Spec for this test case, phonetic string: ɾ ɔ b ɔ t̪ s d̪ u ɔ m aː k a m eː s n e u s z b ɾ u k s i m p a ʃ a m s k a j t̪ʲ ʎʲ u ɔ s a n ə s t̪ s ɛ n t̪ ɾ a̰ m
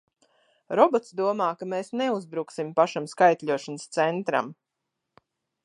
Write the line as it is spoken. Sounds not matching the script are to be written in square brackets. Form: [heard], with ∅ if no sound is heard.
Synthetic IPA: ɾ ɔ b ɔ t̪ s d̪ u ɔ m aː k a m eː s n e u [∅] z b ɾ u k s i m p a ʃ a m s k a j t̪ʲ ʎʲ u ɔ [ʃ] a n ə s t̪ s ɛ n t̪ ɾ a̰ m